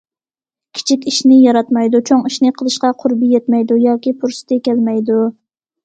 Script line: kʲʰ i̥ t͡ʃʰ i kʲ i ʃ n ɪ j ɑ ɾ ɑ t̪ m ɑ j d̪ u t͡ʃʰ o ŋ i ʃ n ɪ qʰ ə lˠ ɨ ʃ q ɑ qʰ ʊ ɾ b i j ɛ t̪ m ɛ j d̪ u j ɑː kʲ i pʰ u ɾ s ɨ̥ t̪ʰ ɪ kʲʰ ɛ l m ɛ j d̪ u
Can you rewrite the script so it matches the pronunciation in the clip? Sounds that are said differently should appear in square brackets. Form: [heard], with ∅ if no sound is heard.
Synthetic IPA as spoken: kʲʰ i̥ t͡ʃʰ i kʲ i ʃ n ɪ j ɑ ɾ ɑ t̪ m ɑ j d̪ u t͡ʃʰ o ŋ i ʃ n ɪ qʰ ə lˠ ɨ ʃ q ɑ qʰ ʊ ɾ b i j ɛ t̪ m ɛ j d̪ u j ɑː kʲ i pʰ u ɾ s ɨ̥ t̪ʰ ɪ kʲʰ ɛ l m ɛ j d̪ u